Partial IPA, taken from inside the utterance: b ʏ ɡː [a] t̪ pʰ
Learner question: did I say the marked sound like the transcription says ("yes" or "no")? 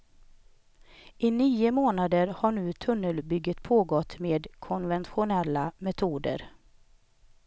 no